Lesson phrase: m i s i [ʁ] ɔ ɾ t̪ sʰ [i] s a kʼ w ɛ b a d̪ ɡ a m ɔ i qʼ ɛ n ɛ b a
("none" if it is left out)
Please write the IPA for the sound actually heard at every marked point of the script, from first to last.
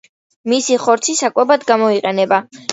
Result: χ, i

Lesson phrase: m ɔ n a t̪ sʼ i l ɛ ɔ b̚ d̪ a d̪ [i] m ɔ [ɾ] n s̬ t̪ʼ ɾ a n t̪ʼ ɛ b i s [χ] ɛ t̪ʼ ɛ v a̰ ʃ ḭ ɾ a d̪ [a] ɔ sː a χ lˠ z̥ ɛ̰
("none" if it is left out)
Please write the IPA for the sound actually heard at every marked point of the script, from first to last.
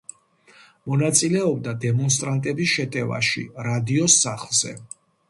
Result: ɛ, none, ʃ, i

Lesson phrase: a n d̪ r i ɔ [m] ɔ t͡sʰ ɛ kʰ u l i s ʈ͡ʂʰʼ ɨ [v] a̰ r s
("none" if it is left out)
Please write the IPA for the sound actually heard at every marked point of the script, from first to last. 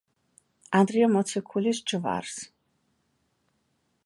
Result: m, v

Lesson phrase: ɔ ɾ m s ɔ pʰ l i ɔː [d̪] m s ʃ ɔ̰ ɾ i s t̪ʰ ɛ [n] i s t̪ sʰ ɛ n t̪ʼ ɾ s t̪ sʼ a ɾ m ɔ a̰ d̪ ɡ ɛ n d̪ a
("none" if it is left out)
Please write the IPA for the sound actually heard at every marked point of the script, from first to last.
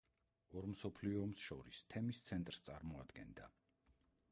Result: none, m

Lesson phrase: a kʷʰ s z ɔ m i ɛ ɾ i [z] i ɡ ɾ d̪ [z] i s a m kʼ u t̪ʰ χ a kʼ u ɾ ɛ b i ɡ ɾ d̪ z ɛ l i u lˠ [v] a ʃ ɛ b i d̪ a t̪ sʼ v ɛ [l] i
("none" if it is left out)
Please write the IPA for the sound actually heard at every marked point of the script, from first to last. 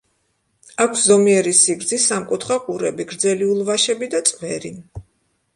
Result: s, z, v, ɾ

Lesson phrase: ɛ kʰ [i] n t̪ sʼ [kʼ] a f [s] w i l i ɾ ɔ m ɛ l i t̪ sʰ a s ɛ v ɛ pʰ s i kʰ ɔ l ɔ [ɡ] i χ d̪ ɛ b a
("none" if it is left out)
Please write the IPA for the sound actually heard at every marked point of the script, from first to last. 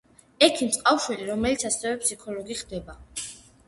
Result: i, qʼ, ʃ, ɡ

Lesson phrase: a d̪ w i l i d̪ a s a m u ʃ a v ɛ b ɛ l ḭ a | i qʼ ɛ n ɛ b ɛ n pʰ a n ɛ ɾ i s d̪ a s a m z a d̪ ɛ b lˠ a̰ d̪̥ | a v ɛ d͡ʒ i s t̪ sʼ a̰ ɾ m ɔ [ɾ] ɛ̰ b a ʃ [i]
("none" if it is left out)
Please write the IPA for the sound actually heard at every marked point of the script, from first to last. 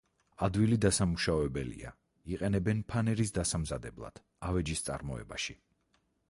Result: none, i

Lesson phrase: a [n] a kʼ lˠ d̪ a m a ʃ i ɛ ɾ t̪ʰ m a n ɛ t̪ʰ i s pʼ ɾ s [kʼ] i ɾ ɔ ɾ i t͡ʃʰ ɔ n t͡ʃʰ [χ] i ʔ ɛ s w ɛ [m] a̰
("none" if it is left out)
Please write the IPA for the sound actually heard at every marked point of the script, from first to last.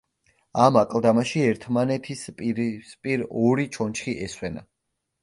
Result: m, pʼ, χ, n

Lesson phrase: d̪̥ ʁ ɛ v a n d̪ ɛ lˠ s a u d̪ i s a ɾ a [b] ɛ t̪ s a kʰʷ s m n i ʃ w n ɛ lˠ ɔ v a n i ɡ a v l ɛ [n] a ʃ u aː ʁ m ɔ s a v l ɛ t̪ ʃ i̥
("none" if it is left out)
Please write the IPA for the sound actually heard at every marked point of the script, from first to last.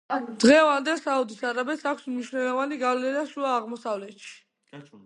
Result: b, n

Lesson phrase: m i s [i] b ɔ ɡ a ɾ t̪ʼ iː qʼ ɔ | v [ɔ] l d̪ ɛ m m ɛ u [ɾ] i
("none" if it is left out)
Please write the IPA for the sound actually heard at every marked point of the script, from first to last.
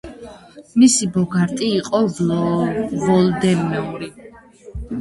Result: i, ɔ, ɾ

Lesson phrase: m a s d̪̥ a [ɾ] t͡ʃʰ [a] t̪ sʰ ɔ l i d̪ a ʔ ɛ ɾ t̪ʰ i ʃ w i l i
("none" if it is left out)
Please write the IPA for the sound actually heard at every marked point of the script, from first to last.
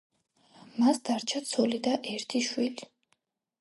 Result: ɾ, a

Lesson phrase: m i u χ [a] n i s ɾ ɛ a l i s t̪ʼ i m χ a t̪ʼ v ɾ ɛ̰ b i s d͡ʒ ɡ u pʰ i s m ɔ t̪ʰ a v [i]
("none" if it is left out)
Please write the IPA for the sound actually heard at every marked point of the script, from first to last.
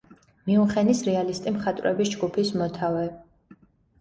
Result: ɛ, ɛ

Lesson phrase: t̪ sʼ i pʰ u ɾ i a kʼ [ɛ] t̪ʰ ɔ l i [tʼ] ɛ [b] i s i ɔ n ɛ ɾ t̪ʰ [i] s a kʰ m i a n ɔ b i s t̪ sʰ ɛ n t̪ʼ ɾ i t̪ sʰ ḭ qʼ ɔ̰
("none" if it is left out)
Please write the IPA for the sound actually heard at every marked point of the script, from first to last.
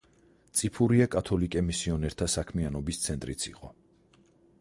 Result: a, kʼ, m, a

